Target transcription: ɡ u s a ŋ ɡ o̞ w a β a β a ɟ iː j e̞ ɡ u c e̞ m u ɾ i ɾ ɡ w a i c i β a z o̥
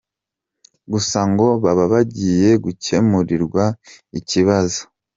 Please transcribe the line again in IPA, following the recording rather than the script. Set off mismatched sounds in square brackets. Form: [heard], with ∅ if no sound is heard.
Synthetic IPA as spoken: ɡ u s a ŋ ɡ o̞ [β] a β a β a ɟ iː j e̞ ɡ u c e̞ m u ɾ i ɾ ɡ w a i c i β a z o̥